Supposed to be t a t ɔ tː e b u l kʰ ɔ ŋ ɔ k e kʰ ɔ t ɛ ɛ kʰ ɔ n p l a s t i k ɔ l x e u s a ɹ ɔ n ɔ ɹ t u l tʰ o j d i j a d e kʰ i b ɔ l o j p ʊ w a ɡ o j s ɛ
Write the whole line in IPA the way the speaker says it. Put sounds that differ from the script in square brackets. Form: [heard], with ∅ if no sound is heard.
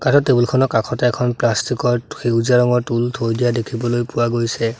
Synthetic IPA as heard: [k] a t ɔ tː e b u l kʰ ɔ [n] ɔ k [a] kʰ ɔ t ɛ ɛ kʰ ɔ n p l a s t i k ɔ [ɹ] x e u [z] a ɹ ɔ [ŋ] ɔ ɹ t u l tʰ o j d i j a d e kʰ i b ɔ l o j p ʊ w a ɡ o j s ɛ